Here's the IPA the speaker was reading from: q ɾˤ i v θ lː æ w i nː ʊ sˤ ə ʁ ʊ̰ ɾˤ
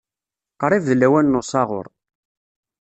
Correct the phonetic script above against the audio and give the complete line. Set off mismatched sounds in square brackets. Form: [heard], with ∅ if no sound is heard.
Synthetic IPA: q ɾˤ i v [ð] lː æ w [æ] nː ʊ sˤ [ɑ] ʁ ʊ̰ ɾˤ